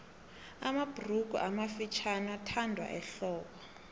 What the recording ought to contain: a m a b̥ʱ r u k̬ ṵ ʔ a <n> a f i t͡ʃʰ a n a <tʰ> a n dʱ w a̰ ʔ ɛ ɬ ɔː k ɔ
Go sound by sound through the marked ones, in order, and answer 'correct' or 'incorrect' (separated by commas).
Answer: incorrect, correct